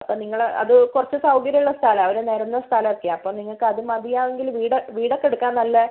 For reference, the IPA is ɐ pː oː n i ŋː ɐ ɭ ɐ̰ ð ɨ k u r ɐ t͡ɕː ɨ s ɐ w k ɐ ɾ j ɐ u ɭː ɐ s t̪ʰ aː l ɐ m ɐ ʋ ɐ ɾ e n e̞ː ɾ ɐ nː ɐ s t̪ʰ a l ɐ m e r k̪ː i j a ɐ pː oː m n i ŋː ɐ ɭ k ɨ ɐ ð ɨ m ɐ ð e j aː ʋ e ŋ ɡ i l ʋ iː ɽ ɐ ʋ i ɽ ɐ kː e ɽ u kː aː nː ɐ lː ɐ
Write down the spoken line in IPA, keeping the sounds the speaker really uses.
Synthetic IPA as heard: ɐ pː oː n i ŋː ɐ ɭ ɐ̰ ð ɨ k u r ɐ t͡ɕː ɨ s ɐ w k ɐ ɾ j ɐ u ɭː ɐ s t̪ʰ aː l ɐ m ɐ ʋ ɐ ɾ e n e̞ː ɾ ɐ nː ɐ s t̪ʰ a l ɐ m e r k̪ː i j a ɐ pː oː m n i ŋː ɐ ɭ k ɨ ɐ ð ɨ m ɐ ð i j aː ʋ e ŋ ɡ i l ʋ iː ɽ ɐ ʋ iː ɽ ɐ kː e ɽ u kː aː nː ɐ lː ɐ